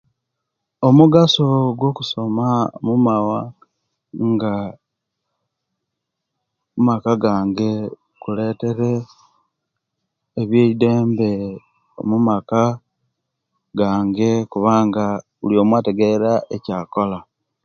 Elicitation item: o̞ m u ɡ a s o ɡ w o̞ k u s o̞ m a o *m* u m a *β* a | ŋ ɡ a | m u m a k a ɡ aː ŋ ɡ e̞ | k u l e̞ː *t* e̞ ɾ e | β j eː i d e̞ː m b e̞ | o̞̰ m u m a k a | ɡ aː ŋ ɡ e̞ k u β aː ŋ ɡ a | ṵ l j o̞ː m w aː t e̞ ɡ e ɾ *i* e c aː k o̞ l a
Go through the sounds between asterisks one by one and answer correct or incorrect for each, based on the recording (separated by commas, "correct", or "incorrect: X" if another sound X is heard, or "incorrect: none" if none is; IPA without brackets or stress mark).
correct, incorrect: w, correct, incorrect: a